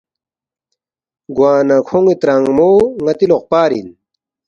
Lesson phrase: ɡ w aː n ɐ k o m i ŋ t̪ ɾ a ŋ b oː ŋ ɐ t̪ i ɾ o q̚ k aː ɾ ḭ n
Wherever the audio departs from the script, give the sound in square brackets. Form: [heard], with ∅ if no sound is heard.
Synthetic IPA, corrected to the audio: ɡ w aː n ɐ [kʰ] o [ŋ] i [∅] t̪ ɾ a ŋ [m] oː ŋ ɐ t̪ i [l] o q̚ [p] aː ɾ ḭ n